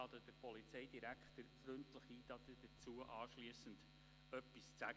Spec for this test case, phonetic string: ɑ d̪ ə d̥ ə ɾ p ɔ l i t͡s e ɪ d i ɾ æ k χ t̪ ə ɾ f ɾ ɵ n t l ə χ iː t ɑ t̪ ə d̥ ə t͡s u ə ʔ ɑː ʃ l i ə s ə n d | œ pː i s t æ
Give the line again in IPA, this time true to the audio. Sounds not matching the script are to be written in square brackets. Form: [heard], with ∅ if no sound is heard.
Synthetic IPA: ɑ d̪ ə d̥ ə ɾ p ɔ l i t͡s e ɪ d i ɾ æ k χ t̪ ə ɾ f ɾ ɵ n t l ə χ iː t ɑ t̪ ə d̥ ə t͡s u ə ʔ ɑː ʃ l i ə s ə n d | œ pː i s [t͡s] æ